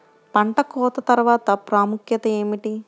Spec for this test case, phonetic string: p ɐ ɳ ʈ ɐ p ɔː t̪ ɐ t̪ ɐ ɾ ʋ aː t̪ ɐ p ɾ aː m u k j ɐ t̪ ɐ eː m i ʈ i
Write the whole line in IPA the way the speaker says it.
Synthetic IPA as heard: p ɐ ɳ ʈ ɐ k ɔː t̪ ɐ t̪ ɐ ɾ ʋ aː t̪ ɐ p ɾ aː m u k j ɐ t̪ ɐ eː m i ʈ i